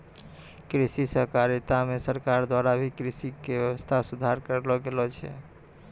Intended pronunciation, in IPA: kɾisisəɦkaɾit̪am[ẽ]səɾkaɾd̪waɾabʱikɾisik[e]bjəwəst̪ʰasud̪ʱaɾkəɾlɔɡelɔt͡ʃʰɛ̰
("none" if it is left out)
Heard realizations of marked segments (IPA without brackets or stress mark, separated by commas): e, e